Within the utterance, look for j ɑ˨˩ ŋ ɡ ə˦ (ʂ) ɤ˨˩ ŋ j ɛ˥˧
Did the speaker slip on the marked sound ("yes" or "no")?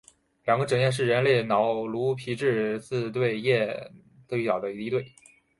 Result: yes